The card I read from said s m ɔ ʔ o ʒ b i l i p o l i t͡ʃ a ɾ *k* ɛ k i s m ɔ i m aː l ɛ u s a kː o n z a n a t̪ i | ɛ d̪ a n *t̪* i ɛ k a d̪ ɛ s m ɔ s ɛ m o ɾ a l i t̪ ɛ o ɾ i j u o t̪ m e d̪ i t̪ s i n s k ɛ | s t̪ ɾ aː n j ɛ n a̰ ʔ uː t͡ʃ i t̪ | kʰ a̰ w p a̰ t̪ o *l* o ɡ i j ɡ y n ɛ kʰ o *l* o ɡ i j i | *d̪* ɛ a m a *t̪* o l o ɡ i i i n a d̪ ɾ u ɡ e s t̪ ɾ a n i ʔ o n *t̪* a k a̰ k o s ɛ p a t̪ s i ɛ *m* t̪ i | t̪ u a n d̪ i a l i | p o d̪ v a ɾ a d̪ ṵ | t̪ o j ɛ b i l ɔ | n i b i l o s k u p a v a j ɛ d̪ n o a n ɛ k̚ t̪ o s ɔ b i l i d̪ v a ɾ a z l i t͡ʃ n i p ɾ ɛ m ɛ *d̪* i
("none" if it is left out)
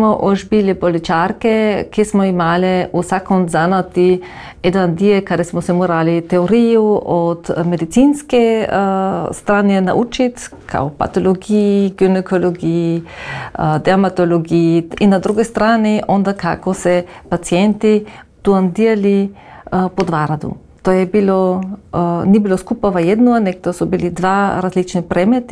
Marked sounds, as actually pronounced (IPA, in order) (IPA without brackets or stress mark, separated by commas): k, d̪, l, l, d̪, t̪, d̪, n, t̪